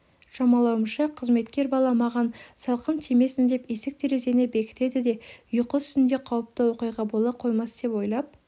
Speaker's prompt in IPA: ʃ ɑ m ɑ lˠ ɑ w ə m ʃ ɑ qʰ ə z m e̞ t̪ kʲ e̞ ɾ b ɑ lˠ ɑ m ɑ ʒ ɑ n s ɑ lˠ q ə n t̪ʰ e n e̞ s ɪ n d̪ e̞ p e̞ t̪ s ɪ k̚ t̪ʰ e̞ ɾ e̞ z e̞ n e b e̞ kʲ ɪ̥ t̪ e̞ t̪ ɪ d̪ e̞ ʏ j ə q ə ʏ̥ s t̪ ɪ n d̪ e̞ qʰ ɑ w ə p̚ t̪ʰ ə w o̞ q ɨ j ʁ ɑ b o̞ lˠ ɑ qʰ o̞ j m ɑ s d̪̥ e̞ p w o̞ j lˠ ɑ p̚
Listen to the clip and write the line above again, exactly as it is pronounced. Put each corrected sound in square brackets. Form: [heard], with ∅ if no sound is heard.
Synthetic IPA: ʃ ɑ m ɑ lˠ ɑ w ə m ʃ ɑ qʰ ə z m e̞ t̪ kʲ e̞ ɾ b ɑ lˠ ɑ m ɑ [ʁ] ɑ n s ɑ lˠ q ə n t̪ʰ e [m] e̞ s ɪ n d̪ e̞ p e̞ [∅] s ɪ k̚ t̪ʰ e̞ ɾ e̞ z e̞ n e b e̞ kʲ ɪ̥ t̪ e̞ [d̪] ɪ d̪ e̞ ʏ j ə q ə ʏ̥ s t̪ ɪ n d̪ e̞ qʰ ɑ w ə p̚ [t̪] ə w o̞ q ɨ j ʁ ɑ b o̞ lˠ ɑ qʰ o̞ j m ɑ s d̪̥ e̞ p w o̞ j lˠ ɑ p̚